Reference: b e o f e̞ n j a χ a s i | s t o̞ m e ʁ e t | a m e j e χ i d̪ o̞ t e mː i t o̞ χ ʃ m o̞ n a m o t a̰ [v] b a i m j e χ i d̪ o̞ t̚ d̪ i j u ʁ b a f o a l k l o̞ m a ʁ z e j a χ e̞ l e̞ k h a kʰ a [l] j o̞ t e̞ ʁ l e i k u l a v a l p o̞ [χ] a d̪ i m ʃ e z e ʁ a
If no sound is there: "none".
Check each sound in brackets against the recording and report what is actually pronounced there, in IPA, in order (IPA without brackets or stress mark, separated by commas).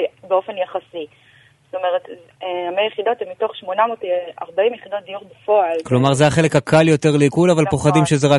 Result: ʁ, l, χ